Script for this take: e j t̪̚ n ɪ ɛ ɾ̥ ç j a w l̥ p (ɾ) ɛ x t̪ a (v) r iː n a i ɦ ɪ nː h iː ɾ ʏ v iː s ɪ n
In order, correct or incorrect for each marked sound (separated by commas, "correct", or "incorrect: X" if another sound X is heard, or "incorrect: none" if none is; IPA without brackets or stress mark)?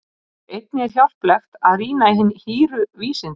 incorrect: l, incorrect: ð